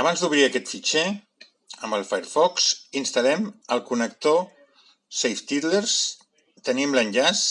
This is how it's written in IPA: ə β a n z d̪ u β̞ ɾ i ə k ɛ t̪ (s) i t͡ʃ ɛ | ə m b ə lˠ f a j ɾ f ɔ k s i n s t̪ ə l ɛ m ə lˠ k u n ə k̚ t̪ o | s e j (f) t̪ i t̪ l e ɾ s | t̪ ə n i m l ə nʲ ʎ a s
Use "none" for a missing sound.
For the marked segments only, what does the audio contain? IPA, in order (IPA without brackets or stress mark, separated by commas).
f, f